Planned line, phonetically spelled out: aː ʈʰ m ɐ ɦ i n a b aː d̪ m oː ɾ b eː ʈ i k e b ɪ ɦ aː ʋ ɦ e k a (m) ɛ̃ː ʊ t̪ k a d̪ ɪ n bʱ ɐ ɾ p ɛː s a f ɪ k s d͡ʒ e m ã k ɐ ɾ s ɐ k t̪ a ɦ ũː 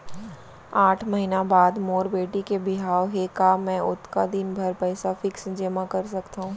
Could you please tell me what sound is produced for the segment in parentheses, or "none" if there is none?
m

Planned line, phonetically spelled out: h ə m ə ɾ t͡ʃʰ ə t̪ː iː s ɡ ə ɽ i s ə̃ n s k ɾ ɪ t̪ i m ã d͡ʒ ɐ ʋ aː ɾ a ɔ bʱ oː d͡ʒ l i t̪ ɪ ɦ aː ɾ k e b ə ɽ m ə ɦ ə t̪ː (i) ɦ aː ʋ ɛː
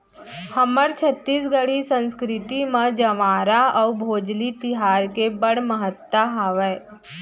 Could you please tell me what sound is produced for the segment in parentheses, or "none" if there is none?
a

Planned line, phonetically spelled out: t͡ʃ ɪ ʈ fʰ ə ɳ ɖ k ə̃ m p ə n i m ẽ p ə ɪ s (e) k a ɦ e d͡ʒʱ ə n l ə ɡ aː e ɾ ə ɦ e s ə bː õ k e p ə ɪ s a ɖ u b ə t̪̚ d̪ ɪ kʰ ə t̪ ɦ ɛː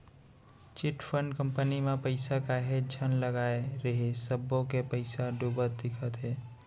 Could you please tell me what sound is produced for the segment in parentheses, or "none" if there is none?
a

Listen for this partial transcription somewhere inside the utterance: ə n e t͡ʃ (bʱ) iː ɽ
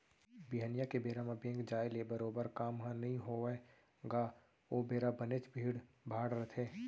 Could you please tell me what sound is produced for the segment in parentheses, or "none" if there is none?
bʱ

